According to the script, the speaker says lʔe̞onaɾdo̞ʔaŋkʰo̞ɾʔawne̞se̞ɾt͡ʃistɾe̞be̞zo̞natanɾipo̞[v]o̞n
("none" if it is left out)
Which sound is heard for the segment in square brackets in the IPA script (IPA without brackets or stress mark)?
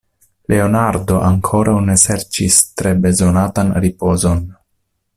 z